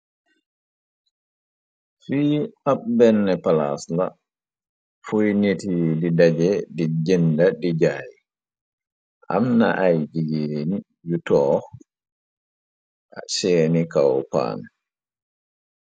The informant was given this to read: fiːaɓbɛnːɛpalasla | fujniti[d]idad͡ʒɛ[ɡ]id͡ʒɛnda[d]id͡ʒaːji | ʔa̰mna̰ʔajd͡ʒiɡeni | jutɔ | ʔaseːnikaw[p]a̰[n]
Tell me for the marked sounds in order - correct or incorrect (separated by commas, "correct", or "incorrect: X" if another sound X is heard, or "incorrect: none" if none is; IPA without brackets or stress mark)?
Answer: correct, incorrect: d, correct, correct, correct